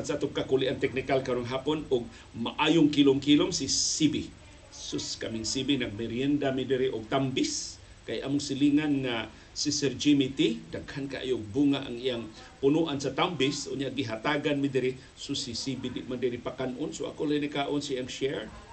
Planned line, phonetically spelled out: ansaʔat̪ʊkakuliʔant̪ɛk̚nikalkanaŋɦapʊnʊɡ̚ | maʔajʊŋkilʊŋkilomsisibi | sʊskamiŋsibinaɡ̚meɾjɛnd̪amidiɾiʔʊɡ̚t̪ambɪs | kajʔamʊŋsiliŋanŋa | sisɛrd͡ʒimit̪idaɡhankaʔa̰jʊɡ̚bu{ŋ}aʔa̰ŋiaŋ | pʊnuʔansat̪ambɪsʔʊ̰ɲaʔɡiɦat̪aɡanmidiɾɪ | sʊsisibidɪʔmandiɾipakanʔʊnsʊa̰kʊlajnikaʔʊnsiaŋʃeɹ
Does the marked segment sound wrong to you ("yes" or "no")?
no